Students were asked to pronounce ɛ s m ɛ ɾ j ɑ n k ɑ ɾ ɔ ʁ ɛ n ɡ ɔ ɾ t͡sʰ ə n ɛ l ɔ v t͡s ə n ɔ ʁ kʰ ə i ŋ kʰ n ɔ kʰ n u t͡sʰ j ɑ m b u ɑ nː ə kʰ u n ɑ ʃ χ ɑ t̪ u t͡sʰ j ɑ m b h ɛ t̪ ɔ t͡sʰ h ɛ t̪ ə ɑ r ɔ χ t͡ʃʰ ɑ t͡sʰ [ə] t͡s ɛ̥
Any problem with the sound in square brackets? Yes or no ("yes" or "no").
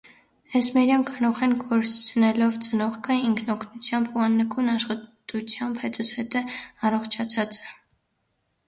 yes